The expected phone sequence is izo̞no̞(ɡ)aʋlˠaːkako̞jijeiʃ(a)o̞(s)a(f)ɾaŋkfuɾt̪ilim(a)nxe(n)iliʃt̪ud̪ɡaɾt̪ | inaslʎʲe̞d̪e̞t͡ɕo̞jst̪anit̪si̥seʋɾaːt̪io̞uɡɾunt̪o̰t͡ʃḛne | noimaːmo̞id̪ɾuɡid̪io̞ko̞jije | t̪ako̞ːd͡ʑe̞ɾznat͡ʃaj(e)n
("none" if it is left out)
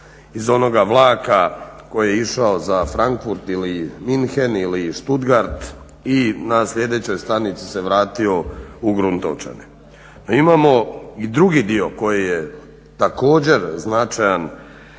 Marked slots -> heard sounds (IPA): ɡ, a, z, f, i, n, a

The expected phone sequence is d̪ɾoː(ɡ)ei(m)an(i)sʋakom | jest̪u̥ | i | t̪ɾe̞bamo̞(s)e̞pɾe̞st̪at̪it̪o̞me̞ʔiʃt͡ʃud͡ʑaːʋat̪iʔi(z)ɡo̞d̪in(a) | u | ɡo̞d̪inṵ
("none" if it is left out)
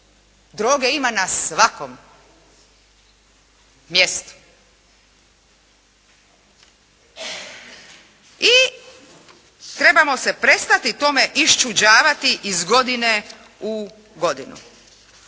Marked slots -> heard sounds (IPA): ɡ, m, a, s, z, e

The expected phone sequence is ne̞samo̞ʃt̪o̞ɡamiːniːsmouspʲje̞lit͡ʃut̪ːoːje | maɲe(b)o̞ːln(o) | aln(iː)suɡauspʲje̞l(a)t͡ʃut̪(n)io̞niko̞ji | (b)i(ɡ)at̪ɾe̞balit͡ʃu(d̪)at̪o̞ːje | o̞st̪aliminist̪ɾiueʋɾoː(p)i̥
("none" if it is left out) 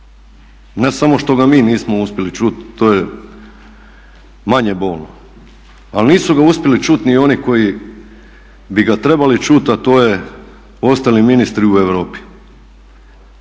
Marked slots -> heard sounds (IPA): b, o, iː, i, n, b, ɡ, t̪, p

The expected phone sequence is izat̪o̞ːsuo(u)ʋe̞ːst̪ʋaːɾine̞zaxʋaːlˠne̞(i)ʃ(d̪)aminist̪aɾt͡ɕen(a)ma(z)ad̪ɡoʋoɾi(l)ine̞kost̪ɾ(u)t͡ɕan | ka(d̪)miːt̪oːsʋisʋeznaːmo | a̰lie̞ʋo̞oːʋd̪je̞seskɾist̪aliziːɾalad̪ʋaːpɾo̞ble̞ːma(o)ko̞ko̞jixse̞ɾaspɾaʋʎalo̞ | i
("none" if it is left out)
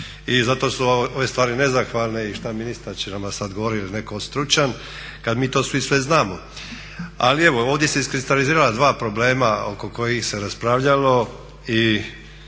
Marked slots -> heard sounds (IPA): o, i, t̪, a, s, l, u, d̪, o

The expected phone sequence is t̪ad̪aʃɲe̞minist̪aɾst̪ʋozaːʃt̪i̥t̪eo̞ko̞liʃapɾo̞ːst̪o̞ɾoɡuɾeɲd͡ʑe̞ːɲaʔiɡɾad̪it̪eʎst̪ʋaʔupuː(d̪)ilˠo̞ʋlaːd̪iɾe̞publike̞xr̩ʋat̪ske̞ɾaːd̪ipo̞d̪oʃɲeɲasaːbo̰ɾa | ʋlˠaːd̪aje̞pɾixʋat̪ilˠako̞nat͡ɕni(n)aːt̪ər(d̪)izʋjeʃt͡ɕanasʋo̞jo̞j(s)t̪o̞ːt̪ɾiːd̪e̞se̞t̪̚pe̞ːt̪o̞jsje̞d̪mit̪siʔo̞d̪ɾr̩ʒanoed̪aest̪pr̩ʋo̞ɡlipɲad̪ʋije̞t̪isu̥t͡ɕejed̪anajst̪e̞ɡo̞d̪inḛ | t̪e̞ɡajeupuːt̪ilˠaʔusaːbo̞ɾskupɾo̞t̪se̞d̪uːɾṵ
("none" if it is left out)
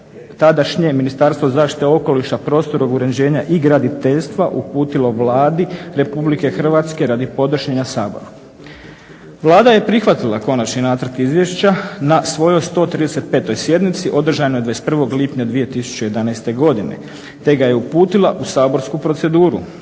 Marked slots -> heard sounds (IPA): t̪, n, t̪, s

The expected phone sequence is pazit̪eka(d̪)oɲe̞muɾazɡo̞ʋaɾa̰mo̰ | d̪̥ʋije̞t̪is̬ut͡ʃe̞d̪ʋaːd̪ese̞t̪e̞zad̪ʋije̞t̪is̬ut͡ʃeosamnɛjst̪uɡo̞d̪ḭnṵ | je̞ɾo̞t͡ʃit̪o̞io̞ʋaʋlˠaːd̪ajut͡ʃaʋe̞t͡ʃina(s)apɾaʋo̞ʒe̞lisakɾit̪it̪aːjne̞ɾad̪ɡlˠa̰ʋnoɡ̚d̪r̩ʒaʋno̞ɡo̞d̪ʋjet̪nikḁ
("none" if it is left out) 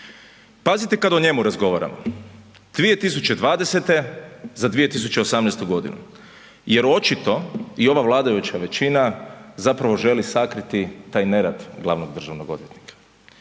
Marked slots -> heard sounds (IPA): d̪, z

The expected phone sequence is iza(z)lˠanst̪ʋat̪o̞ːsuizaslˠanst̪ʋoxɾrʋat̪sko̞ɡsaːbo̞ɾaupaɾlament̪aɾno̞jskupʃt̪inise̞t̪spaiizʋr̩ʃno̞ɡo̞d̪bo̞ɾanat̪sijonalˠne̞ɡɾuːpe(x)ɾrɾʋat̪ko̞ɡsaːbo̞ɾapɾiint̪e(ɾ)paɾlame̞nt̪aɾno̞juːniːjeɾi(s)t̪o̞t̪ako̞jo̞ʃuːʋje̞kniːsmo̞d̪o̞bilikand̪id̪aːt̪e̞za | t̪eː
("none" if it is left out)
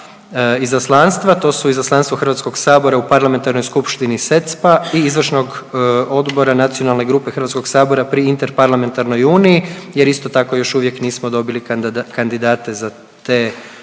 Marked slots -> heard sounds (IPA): s, x, ɾ, s

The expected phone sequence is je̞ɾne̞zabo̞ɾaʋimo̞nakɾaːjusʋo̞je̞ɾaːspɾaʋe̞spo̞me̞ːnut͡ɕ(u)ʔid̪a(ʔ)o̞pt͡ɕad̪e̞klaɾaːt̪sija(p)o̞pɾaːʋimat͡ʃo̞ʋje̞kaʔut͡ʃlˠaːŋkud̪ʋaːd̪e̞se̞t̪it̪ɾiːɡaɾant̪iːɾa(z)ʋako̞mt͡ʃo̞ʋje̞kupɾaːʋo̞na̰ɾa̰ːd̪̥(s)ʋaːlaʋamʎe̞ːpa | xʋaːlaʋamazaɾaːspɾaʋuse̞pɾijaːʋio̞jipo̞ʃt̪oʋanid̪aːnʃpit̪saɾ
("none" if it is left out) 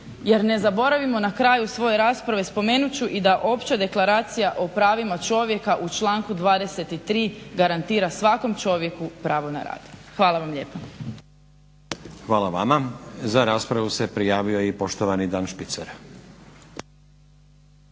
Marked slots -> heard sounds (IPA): u, ʔ, ʔ, s, x

